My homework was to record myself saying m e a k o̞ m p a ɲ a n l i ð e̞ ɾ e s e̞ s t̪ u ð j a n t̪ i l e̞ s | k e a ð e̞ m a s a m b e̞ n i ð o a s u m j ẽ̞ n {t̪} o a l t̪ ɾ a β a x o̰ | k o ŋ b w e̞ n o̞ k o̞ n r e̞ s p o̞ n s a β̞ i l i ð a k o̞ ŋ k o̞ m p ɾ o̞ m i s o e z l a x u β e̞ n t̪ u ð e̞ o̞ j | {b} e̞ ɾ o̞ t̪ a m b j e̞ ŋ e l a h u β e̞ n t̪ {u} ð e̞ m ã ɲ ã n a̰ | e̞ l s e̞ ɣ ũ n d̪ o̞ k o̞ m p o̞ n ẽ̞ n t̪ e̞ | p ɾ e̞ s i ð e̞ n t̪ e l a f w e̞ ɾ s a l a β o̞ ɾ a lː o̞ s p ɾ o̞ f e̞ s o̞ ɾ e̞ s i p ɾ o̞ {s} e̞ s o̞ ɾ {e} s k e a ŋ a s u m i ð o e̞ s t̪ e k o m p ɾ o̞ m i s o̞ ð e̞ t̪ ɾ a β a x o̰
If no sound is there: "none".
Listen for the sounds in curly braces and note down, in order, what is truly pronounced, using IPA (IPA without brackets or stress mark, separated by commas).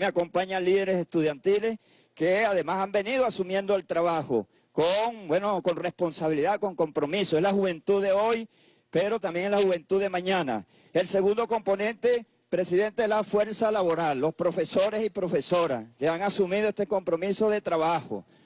d̪, p, u, f, a